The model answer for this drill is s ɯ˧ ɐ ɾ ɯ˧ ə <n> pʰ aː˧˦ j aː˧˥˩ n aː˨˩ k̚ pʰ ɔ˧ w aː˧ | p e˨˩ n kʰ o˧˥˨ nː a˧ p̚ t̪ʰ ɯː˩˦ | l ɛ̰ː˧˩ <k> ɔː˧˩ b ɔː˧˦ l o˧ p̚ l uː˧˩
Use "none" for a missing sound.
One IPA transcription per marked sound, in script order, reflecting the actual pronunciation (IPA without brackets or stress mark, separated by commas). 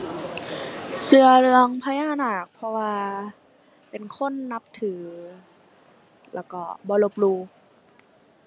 ŋ, k